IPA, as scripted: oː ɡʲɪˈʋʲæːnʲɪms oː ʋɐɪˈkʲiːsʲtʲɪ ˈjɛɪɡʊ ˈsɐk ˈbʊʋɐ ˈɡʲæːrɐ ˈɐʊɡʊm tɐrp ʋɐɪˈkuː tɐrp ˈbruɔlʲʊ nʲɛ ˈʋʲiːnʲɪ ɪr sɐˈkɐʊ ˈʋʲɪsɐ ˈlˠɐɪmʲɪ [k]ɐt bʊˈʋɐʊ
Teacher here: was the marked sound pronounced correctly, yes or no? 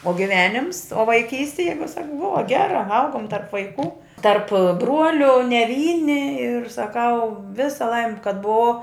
yes